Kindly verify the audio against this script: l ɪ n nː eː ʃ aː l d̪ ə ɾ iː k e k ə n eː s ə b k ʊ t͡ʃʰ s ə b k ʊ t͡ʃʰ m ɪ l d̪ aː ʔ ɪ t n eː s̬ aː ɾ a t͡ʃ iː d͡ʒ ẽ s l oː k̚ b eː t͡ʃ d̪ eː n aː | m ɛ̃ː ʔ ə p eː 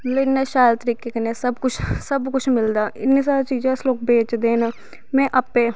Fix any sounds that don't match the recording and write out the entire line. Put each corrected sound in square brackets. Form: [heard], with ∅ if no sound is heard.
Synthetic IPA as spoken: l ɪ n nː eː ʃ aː l [t̪] ə ɾ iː k e k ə n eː s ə b k ʊ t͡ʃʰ s ə b k ʊ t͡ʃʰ m ɪ l d̪ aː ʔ ɪ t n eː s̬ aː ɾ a t͡ʃ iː d͡ʒ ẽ s l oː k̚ b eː t͡ʃ d̪ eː n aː | m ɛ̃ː ʔ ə p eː